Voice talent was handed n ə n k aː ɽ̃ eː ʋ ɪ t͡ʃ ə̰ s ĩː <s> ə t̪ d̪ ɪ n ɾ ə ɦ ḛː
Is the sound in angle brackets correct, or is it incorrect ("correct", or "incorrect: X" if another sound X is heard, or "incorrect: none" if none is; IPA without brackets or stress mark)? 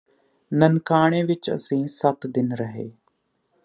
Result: correct